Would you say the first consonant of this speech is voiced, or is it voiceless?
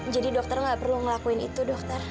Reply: voiced